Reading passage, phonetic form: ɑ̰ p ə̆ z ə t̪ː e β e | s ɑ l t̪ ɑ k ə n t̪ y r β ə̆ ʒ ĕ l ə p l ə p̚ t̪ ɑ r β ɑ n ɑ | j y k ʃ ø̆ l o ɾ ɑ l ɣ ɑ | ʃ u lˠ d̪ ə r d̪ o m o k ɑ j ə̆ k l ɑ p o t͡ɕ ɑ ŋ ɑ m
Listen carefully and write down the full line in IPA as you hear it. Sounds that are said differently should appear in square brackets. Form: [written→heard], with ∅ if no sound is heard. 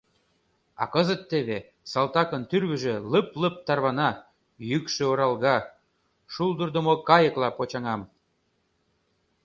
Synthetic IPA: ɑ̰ [p→k] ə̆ z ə t̪ː e β e | s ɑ l t̪ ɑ k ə n t̪ y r β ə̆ ʒ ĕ l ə p l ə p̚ t̪ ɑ r β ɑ n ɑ | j y k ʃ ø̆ [l→∅] o ɾ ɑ l ɣ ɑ | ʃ u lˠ d̪ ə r d̪ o m o k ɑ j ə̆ k l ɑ p o t͡ɕ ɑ ŋ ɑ m